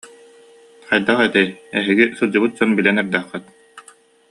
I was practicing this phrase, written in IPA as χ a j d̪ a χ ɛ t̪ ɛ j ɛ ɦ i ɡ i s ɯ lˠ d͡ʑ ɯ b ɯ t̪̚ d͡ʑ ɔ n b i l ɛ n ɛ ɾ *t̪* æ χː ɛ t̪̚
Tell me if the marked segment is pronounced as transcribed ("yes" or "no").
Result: no